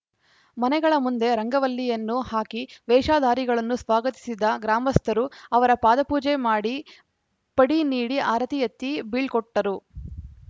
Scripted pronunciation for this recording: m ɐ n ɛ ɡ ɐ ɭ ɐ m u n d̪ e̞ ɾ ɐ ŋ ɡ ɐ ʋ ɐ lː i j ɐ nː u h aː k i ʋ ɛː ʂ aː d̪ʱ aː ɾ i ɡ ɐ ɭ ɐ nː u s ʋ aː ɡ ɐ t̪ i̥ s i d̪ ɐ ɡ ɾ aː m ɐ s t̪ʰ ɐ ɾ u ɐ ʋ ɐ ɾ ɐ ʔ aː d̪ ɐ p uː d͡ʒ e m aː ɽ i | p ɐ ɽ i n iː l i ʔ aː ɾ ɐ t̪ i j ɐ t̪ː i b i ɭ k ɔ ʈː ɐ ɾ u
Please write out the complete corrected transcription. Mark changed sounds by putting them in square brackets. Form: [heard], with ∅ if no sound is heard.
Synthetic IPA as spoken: m ɐ n ɛ ɡ ɐ ɭ ɐ m u n d̪ e̞ ɾ ɐ ŋ ɡ ɐ ʋ ɐ lː i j ɐ nː u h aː k i ʋ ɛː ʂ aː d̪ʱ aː ɾ i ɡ ɐ ɭ ɐ nː u s ʋ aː ɡ ɐ t̪ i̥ s i d̪ ɐ ɡ ɾ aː m ɐ s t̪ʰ ɐ ɾ u ɐ ʋ ɐ ɾ ɐ [p] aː d̪ ɐ p uː d͡ʒ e m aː ɽ i | p ɐ ɽ i n iː [ɽ] i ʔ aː ɾ ɐ t̪ i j ɐ t̪ː i b i ɭ k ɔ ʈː ɐ ɾ u